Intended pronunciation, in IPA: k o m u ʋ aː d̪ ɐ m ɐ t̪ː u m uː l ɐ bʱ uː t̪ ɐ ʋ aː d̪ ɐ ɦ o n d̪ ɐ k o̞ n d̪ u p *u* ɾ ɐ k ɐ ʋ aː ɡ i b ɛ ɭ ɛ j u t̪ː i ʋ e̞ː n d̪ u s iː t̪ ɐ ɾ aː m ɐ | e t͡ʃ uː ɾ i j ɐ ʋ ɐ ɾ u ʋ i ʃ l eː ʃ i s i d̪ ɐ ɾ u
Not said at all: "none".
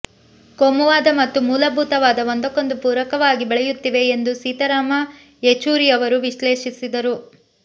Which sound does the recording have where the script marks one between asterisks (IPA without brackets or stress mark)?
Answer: uː